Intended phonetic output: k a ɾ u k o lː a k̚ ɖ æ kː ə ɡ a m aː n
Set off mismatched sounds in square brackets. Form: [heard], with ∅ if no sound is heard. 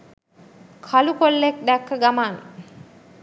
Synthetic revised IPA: [kʰ] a [l] u k o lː [e] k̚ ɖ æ kː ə ɡ a m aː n